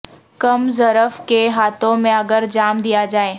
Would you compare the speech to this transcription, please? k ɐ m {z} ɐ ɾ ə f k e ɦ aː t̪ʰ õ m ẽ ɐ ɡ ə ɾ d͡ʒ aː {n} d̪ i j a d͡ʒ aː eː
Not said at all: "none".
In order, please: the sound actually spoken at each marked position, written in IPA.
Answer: z, m

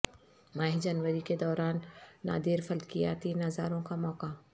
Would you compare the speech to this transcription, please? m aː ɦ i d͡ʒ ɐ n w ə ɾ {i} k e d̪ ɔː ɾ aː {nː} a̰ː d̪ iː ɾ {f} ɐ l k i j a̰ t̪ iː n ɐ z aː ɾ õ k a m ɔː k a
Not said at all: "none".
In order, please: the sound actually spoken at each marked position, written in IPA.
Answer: i, nː, f

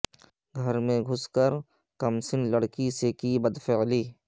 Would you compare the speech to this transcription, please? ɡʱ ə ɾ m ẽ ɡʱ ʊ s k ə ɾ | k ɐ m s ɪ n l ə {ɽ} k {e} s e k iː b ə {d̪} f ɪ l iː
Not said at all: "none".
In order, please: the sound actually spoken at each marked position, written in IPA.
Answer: ɽ, i, d̪

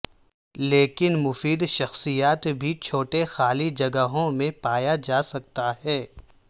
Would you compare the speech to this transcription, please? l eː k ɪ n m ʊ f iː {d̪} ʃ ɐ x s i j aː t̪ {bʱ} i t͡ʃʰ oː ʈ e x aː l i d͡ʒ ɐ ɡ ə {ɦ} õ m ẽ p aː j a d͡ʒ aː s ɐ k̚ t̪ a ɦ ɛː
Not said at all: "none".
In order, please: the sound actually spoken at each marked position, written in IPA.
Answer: d̪, bʱ, ɦ

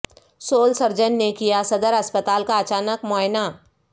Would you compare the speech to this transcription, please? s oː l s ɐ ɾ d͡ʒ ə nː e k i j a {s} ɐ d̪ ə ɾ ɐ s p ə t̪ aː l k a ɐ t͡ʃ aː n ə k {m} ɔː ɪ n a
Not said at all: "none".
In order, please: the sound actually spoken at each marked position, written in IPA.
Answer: s, m

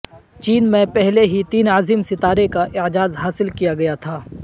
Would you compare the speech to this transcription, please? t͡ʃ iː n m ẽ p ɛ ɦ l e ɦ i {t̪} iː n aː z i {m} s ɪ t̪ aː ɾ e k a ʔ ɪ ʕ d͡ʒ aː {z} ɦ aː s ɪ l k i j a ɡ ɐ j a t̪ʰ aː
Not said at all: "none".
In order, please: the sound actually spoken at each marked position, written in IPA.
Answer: t̪, m, z

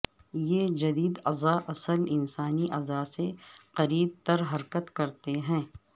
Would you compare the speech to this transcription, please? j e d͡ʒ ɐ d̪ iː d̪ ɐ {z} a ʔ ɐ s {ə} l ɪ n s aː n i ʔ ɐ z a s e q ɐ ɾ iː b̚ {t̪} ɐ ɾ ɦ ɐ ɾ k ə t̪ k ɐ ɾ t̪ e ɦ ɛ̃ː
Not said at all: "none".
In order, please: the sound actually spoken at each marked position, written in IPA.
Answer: z, ə, t̪

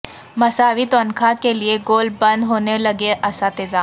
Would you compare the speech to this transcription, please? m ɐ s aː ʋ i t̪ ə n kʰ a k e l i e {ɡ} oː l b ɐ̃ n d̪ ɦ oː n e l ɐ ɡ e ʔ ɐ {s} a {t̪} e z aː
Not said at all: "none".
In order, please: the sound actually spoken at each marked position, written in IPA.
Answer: ɡ, s, t̪

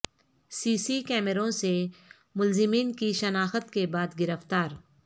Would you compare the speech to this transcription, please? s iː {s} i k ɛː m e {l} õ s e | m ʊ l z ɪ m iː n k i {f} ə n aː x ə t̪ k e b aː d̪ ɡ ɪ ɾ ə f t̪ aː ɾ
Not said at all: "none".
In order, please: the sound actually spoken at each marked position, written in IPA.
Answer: s, ɾ, ʃ

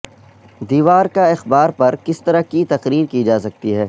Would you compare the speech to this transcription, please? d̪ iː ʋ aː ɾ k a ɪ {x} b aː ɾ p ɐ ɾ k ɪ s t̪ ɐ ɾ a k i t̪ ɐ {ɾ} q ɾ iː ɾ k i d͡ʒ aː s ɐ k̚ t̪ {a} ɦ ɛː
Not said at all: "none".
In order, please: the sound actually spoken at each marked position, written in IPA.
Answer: x, none, i

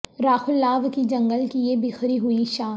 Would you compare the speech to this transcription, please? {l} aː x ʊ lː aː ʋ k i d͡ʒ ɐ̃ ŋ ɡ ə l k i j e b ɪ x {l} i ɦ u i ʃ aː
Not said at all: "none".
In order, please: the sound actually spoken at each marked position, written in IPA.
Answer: ɾ, ɾ

